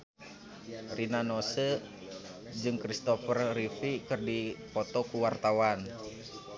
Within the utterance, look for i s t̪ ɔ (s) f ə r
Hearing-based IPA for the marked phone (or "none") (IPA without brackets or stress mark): none